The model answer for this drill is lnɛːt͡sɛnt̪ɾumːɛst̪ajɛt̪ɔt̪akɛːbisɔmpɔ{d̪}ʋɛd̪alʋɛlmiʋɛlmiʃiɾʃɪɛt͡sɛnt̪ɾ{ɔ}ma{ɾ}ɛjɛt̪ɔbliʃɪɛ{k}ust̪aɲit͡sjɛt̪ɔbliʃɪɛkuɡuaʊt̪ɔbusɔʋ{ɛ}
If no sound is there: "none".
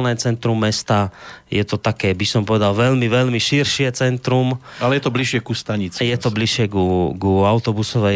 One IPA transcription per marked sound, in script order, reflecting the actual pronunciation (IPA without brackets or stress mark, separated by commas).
none, u, l, k, ɛ